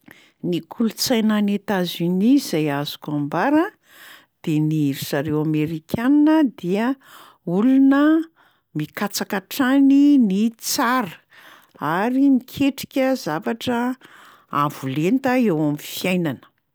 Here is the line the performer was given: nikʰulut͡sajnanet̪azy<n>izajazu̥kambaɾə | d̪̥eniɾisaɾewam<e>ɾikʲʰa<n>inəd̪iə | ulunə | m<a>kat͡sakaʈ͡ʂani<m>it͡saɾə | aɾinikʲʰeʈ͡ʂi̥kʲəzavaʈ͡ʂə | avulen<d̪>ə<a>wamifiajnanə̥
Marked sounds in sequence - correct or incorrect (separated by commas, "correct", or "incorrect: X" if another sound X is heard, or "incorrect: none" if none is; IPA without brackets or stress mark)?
correct, correct, correct, incorrect: i, incorrect: n, incorrect: t̪, incorrect: e